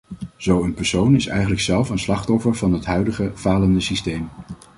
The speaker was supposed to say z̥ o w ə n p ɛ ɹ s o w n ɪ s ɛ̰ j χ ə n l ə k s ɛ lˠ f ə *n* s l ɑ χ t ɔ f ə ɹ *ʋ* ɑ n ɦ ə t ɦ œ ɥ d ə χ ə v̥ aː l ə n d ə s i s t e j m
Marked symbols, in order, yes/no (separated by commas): yes, no